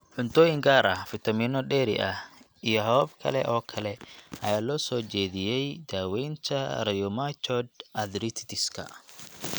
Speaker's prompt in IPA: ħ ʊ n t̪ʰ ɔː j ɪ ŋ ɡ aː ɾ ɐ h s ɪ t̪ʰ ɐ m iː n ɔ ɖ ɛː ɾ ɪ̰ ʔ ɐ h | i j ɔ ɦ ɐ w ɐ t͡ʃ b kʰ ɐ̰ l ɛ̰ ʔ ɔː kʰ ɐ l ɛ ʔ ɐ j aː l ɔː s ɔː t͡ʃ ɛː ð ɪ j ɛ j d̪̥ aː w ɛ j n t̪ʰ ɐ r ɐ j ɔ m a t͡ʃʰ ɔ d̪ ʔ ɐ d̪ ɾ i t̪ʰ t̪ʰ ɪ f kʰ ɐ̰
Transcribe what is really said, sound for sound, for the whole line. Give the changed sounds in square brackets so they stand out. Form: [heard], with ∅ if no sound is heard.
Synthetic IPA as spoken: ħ ʊ n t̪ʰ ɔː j ɪ ŋ ɡ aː ɾ ɐ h [f] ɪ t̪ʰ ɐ m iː n ɔ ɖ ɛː ɾ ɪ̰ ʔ ɐ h | i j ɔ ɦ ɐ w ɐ [∅] b kʰ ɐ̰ l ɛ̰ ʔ ɔː kʰ ɐ l ɛ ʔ ɐ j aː l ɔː s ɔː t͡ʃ ɛː ð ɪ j ɛ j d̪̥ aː w ɛ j n t̪ʰ ɐ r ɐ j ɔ m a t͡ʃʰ ɔ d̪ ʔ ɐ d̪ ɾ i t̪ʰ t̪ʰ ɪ [s] kʰ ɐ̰